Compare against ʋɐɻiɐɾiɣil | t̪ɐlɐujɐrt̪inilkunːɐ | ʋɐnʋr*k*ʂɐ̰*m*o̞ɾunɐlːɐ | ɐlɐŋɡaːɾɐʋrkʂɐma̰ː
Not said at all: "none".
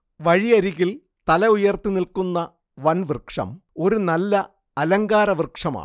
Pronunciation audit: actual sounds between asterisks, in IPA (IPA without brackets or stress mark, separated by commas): k, m